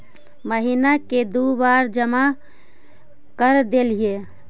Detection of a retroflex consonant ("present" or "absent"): absent